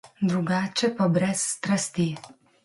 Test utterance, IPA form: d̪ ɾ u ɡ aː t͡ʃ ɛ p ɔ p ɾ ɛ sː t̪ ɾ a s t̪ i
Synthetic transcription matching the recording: d̪ ɾ u ɡ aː t͡ʃ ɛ p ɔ b ɾ ɛ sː t̪ ɾ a s t̪ i